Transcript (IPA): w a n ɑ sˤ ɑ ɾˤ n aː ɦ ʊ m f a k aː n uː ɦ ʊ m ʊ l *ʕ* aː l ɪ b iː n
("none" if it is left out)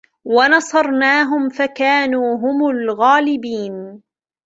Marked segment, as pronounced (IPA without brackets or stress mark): ɣ